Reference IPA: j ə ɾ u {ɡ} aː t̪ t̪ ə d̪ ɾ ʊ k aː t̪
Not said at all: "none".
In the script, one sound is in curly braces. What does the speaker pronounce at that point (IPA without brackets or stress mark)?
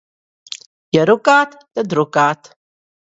k